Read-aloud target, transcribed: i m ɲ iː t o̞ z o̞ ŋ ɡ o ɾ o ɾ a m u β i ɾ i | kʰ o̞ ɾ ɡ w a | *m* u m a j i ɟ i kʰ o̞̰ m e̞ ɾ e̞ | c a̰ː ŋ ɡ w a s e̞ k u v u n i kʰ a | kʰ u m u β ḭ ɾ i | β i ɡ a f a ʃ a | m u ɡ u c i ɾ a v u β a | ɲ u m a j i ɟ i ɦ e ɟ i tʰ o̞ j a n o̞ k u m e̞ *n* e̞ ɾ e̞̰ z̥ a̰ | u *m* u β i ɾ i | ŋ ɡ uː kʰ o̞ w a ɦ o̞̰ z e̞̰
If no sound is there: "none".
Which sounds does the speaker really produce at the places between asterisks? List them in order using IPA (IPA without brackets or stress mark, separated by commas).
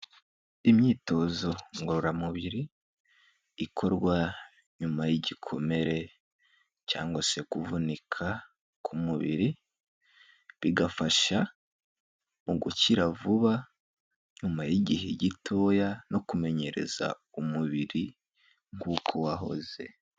ɲ, ɲ, m